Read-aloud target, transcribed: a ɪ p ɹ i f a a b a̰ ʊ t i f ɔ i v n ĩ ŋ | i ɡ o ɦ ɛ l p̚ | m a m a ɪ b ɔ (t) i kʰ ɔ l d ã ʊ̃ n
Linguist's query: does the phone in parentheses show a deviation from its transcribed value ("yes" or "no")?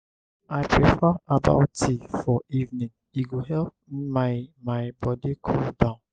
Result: yes